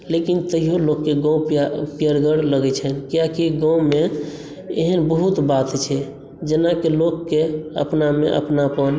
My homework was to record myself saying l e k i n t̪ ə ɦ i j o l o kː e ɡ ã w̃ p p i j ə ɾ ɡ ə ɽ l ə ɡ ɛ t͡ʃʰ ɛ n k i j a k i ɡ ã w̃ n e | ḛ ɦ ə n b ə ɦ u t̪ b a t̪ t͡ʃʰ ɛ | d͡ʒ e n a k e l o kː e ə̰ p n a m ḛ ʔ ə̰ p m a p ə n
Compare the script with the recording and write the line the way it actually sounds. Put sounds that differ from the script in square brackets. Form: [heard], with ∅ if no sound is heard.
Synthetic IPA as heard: l e k i n t̪ ə ɦ i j o l o kː e ɡ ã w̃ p p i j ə ɾ ɡ ə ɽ l ə ɡ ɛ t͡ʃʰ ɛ n k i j a k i ɡ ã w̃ [m] e | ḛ ɦ ə n b ə ɦ u t̪ b a t̪ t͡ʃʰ ɛ | d͡ʒ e n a k e l o kː e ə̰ p n a m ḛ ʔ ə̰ p [n] a p ə n